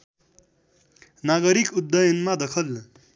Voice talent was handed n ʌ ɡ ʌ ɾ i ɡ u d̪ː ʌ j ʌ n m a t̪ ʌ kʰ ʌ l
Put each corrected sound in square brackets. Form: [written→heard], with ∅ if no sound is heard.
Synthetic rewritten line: n [ʌ→a] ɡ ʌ ɾ i [ɡ→k] u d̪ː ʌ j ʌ n m a [t̪→d̪] ʌ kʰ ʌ l